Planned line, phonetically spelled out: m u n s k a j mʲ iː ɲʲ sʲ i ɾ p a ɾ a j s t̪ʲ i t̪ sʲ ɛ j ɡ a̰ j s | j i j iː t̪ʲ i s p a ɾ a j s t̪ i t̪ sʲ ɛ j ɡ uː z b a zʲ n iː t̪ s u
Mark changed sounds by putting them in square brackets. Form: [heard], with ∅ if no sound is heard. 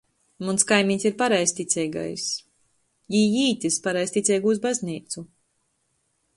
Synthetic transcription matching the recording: m u n s k a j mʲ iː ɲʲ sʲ i ɾ p a ɾ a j s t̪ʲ i t̪ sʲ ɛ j ɡ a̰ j s | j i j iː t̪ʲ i s p a ɾ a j s t̪ i t̪ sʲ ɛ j ɡ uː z b a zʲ n iː t̪ s u